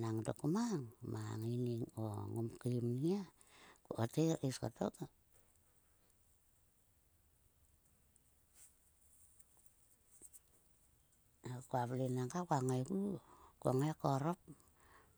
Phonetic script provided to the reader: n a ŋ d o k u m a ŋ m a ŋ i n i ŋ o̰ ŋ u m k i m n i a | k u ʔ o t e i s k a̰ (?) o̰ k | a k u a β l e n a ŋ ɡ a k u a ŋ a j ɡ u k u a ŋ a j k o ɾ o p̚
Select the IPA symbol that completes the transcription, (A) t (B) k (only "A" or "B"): A